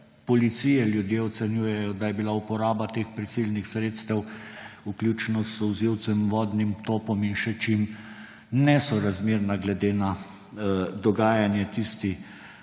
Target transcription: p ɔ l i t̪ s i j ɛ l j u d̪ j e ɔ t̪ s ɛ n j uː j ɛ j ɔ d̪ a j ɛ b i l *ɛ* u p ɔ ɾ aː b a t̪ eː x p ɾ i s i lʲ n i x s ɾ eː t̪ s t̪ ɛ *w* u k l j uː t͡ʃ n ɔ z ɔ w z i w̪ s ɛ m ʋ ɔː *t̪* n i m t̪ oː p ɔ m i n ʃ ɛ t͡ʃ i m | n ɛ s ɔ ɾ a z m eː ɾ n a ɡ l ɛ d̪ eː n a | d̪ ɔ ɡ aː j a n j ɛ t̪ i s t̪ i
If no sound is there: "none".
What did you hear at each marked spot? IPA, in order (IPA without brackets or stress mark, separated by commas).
a, w, d̪